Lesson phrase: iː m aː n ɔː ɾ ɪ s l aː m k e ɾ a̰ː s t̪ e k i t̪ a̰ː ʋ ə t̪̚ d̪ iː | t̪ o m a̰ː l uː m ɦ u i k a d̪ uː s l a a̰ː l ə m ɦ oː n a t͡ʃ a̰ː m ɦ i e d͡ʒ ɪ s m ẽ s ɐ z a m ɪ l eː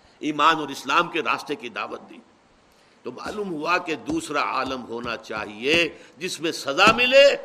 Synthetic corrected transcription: iː m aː n ɔː ɾ ɪ s l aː m k e ɾ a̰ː s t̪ e k i d̪ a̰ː ʋ ə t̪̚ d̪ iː | t̪ o m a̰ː l uː m ɦ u a k e d̪ uː s ɾ a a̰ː l ə m ɦ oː n a t͡ʃ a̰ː ɦ i e d͡ʒ ɪ s m ẽ s ɐ z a m ɪ l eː